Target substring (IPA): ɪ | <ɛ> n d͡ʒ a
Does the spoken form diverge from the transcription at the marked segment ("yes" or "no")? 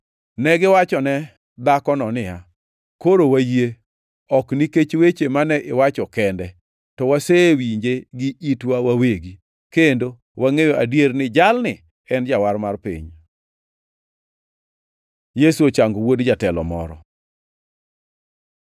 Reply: no